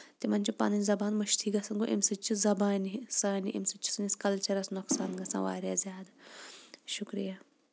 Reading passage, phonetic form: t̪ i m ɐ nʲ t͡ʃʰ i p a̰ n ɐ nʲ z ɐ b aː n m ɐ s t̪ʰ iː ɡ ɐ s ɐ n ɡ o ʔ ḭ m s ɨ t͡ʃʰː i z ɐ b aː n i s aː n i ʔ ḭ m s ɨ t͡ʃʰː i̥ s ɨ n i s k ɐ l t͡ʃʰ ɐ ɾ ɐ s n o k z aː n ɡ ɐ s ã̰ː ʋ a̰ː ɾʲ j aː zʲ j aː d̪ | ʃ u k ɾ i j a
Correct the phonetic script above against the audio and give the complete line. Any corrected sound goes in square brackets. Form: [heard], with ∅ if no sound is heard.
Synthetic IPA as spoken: t̪ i m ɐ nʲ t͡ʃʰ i p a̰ n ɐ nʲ z ɐ b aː n m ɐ [ʃ] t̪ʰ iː ɡ ɐ s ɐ n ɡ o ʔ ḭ m s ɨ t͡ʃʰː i z ɐ b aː n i s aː n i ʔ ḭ m s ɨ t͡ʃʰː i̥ s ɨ n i s k ɐ l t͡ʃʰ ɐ ɾ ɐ s n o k [s] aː n ɡ ɐ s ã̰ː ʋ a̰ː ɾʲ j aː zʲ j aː d̪ | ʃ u k ɾ i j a